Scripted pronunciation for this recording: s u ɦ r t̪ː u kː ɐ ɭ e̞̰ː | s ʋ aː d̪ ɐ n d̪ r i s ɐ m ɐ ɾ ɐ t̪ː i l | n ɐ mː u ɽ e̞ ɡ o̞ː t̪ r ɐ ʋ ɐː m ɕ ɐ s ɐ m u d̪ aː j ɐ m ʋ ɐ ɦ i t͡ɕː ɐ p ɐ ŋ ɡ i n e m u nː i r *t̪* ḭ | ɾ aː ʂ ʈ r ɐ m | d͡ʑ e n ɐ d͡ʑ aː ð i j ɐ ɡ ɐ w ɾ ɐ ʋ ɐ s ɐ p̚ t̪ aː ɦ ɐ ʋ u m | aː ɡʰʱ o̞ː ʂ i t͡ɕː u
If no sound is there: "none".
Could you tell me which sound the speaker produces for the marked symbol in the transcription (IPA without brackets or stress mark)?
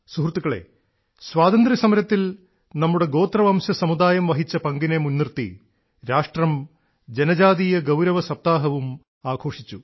t̪